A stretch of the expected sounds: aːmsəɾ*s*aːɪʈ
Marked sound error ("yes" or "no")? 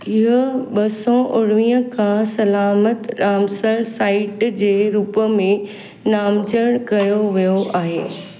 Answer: no